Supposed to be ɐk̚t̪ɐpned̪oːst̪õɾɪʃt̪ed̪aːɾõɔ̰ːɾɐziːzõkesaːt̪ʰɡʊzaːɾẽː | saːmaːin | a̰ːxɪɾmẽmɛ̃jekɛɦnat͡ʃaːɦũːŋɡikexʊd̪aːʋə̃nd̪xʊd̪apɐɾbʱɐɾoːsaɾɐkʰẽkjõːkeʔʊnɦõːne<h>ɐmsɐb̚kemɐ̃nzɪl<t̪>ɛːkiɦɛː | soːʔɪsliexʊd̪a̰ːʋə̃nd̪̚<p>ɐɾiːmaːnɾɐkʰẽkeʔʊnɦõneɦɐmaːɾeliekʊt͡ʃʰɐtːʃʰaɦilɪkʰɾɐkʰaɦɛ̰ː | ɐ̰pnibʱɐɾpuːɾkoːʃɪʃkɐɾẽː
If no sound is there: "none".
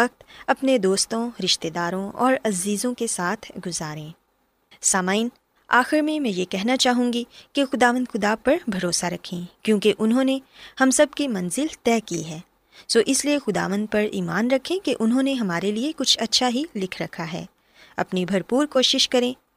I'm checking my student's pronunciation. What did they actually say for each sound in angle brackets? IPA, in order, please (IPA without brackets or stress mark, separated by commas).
h, t̪, p